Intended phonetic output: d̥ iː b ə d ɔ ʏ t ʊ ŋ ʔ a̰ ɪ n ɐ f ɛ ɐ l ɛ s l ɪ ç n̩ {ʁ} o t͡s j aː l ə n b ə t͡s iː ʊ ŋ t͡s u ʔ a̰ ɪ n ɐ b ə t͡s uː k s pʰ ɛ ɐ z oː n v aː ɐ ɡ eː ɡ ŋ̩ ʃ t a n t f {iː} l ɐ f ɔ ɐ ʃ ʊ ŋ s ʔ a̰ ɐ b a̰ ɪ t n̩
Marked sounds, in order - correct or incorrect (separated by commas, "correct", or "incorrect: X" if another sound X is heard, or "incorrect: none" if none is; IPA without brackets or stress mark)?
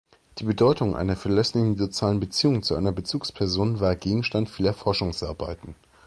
incorrect: z, correct